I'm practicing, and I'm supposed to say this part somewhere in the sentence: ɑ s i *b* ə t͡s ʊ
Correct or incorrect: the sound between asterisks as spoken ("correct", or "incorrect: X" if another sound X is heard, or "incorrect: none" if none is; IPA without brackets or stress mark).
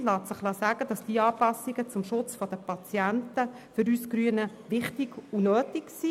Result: incorrect: ɡ